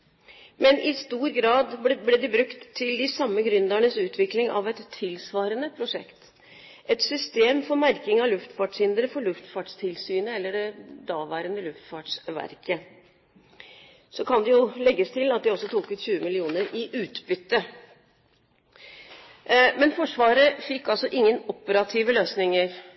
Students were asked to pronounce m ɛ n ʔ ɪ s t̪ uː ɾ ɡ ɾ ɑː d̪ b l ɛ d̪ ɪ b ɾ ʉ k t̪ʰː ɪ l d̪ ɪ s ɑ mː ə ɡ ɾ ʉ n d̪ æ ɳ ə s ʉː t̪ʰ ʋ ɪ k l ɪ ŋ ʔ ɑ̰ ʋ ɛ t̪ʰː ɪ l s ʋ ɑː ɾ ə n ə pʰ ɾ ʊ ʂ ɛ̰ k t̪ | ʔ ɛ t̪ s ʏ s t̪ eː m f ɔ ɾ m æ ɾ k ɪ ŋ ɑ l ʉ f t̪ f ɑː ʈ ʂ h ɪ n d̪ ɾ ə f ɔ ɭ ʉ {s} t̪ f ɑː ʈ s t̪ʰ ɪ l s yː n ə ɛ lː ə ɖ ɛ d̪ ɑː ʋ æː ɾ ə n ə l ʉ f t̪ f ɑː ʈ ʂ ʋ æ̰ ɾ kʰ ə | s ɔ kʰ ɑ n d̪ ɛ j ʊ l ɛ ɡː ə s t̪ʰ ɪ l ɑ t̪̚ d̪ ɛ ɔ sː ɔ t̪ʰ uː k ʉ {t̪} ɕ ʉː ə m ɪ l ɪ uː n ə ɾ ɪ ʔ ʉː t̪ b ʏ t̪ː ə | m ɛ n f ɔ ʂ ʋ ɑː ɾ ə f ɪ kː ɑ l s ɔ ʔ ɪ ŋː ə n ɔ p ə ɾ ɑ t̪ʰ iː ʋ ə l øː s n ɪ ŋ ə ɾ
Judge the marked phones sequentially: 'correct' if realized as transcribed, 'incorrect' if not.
incorrect: f, correct

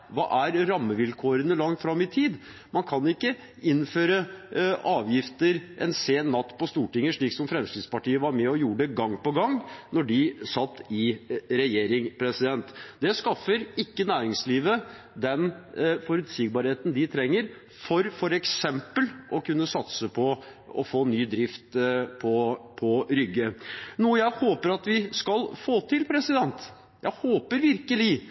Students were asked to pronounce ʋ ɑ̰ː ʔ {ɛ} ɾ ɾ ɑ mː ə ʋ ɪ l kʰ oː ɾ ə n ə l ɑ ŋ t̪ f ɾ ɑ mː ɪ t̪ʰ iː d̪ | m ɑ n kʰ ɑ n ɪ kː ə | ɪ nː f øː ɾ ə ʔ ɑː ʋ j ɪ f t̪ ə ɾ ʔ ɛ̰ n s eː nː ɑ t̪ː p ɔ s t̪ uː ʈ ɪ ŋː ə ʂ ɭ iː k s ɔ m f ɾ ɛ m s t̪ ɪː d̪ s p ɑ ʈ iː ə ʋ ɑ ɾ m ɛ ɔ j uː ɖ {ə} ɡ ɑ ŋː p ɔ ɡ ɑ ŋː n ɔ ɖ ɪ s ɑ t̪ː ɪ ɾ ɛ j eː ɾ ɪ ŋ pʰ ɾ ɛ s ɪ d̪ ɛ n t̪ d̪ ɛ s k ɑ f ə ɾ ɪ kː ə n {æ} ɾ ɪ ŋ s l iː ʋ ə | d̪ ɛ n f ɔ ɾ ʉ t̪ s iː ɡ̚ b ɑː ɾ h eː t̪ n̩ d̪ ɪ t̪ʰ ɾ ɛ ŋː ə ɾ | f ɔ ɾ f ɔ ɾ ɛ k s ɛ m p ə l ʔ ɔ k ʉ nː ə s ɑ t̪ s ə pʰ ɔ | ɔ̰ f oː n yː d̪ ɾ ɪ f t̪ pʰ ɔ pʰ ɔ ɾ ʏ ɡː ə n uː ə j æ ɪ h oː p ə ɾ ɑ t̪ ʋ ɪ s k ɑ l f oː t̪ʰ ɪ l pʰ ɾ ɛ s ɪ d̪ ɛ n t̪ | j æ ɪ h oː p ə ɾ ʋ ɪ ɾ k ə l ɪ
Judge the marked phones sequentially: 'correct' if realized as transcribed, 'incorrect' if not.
incorrect: æ, correct, incorrect: æː

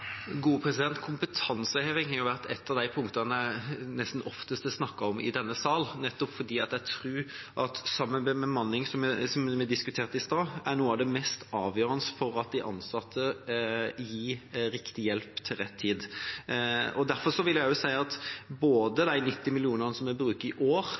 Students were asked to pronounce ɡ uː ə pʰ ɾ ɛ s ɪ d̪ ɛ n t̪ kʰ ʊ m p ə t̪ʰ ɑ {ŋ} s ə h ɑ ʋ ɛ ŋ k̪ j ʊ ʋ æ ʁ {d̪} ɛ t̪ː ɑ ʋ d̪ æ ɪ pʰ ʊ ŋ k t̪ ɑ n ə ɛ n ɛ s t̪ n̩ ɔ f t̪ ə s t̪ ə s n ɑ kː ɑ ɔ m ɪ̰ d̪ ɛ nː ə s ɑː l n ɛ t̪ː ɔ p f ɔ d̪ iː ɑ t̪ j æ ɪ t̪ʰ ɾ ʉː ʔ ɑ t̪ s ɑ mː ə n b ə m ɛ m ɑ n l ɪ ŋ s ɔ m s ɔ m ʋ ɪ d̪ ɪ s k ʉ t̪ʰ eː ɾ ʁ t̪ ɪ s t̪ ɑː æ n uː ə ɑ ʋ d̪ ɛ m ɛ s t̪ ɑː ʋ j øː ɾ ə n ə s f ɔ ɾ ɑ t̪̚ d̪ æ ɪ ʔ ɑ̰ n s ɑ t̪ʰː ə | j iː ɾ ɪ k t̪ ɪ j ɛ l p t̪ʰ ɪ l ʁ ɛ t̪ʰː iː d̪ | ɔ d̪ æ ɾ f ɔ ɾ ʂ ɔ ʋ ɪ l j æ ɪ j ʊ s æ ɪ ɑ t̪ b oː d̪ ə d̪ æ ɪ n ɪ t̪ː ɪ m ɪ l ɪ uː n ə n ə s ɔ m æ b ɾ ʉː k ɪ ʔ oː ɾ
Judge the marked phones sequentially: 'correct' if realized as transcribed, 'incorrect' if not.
incorrect: n, incorrect: t̪

